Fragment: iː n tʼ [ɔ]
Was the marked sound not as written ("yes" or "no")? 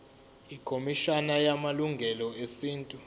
yes